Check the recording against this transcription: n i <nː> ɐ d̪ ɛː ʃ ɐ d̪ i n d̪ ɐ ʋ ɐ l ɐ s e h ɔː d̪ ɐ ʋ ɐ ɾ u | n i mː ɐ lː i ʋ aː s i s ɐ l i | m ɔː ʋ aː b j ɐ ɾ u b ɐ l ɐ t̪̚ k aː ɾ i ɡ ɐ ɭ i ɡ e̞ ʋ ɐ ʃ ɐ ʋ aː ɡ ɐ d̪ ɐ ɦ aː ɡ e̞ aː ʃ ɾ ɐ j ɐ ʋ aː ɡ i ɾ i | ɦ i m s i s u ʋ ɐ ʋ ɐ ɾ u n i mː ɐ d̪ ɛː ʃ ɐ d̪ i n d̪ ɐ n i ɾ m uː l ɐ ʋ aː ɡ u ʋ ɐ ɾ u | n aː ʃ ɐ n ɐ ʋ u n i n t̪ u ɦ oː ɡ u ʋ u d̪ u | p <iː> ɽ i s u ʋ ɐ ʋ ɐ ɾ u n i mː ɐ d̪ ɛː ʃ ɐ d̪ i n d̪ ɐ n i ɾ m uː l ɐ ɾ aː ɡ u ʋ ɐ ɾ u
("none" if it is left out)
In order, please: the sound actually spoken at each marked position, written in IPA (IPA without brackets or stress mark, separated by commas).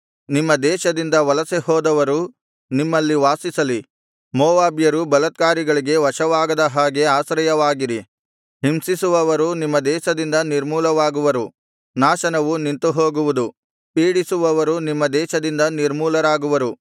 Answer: mː, iː